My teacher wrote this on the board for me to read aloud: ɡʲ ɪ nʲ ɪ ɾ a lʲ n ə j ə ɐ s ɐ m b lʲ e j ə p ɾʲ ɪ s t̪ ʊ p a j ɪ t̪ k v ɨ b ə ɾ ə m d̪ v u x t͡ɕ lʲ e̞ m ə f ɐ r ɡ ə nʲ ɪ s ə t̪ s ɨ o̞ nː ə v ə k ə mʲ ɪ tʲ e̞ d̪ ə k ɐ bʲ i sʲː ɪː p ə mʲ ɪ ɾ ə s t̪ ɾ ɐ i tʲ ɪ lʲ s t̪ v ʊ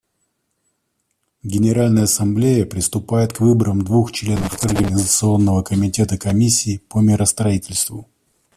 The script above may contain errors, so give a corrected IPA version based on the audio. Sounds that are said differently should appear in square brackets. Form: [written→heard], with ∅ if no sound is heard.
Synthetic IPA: ɡʲ ɪ nʲ ɪ ɾ a lʲ n ə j ə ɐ s ɐ m b lʲ e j ə p ɾʲ ɪ s t̪ ʊ p a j ɪ t̪ k v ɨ b ə ɾ ə m d̪ v u x t͡ɕ lʲ e̞ [m→n] ə f ɐ r ɡ ə nʲ ɪ [s→z] ə t̪ s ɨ o̞ nː ə v ə k ə mʲ ɪ tʲ e̞ [d̪→t̪] ə k ɐ [bʲ→mʲ] i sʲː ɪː p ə mʲ ɪ ɾ ə s t̪ ɾ ɐ i tʲ ɪ lʲ s t̪ v ʊ